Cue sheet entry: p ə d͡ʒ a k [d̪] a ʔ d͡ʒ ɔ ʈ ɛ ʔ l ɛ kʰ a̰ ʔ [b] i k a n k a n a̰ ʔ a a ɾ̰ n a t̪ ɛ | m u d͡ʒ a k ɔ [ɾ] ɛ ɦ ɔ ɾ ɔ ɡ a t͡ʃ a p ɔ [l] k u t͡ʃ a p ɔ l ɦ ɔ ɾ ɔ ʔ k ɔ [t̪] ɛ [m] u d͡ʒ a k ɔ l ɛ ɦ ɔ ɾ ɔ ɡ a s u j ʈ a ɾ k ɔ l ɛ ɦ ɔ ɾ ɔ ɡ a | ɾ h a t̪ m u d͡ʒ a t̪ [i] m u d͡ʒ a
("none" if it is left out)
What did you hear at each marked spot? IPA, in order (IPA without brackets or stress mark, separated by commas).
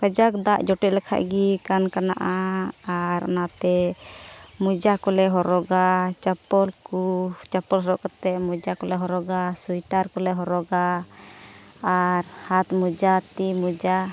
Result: d̪, ɡ, l, l, t̪, m, i